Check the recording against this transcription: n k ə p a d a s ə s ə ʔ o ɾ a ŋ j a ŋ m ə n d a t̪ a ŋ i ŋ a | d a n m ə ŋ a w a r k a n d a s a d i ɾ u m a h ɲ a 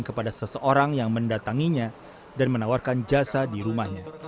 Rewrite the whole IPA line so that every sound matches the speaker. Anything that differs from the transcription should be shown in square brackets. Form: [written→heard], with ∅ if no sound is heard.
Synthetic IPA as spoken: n k ə p a d a s ə s ə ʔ o ɾ a ŋ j a ŋ m ə n d a t̪ a ŋ i [ŋ→ɲ] a | d a n m ə [ŋ→n] a w a r k a n [d→d͡ʒ] a s a d i ɾ u m a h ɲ a